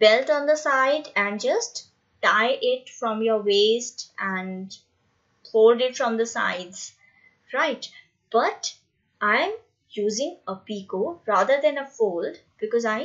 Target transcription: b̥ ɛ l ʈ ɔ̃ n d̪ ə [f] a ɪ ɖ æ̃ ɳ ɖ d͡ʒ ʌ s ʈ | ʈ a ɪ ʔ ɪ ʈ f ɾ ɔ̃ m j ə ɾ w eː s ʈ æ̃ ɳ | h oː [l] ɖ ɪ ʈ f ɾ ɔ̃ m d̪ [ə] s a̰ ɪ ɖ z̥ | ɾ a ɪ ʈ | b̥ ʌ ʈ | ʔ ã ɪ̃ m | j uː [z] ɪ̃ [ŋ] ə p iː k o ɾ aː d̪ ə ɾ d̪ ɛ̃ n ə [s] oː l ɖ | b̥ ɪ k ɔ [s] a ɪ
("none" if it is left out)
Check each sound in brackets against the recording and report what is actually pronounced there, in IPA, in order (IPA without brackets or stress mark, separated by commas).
s, l, ə, z, ŋ, f, z